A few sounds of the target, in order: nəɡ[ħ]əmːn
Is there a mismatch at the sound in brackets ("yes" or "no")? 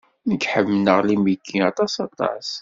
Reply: no